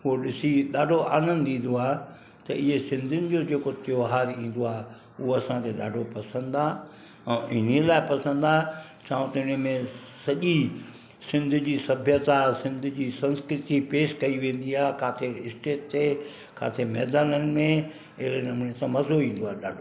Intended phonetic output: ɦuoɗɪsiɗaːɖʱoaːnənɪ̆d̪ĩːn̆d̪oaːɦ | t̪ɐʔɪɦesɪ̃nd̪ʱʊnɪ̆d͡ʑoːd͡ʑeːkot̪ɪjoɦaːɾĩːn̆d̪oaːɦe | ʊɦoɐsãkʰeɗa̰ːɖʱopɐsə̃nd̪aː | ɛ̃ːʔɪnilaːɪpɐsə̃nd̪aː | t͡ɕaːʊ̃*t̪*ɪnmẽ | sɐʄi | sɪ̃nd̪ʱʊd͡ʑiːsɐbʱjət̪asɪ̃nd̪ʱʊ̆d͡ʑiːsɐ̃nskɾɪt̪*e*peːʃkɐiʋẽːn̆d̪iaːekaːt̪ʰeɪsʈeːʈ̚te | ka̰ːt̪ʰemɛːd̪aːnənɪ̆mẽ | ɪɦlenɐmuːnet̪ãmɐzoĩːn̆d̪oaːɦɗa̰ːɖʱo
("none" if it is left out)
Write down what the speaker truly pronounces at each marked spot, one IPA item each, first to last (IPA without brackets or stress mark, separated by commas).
t̪, i